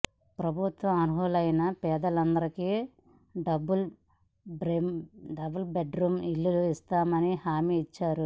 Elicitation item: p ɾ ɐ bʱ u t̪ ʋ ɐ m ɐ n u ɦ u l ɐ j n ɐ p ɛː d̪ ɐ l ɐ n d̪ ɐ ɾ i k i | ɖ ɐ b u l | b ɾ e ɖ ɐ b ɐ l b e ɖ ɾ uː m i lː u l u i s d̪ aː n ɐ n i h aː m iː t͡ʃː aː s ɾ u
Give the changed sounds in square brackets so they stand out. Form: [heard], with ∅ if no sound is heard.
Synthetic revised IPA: p ɾ ɐ bʱ u t̪ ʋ ɐ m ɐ n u ɦ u l ɐ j n ɐ p ɛː d̪ ɐ l ɐ n d̪ ɐ ɾ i k i | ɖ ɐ b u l | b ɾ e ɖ ɐ b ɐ l b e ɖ ɾ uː m i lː u l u i s [t̪] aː [m] ɐ n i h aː m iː t͡ʃː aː [∅] ɾ u